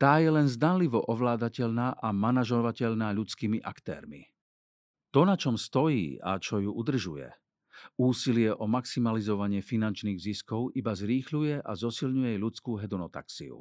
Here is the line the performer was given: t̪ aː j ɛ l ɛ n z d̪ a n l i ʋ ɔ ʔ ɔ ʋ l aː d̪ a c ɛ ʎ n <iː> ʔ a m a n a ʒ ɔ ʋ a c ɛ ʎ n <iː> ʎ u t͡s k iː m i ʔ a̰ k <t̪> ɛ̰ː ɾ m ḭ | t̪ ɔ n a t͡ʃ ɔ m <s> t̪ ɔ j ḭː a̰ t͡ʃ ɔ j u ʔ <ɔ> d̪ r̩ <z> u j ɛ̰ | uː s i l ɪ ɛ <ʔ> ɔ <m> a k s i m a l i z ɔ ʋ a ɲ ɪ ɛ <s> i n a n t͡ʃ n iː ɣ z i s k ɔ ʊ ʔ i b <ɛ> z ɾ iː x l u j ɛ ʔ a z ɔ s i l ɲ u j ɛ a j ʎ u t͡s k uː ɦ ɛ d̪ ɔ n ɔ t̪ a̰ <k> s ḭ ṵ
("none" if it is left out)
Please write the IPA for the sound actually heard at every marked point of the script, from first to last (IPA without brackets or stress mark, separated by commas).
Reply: aː, aː, t̪, s, u, ʒ, ʔ, m, f, a, k